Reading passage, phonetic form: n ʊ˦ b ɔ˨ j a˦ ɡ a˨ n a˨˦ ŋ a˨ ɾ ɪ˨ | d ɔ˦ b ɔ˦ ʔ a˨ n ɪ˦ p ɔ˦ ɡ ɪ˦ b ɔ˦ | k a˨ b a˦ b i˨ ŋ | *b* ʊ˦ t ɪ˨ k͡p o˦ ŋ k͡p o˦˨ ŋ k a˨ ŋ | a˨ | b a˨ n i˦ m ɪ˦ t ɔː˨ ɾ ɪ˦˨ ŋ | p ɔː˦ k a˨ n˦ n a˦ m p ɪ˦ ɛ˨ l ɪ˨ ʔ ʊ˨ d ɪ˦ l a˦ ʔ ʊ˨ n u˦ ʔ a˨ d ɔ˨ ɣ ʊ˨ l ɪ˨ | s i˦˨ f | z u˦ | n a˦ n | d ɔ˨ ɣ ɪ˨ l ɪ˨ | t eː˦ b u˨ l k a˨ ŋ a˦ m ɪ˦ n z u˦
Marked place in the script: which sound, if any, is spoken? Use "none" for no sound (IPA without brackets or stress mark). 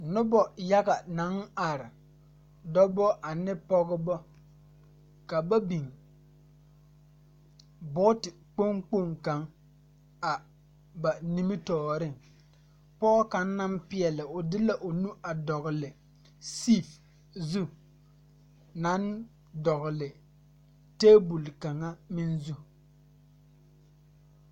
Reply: b